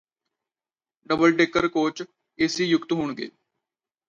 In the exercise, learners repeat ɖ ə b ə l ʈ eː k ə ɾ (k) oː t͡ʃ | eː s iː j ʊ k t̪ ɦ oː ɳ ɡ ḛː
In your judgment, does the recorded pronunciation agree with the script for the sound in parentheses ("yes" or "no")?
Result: yes